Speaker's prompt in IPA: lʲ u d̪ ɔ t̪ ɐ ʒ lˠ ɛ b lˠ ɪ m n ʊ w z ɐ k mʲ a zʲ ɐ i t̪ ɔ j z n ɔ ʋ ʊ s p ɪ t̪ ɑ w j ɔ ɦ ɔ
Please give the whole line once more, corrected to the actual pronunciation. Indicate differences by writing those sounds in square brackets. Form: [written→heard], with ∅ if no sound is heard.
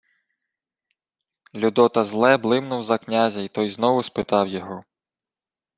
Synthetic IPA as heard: lʲ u d̪ ɔ t̪ ɐ [ʒ→z] lˠ ɛ b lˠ ɪ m n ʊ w z ɐ k [mʲ→nʲ] a zʲ ɐ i t̪ ɔ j z n ɔ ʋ ʊ s p ɪ t̪ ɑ w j ɔ ɦ ɔ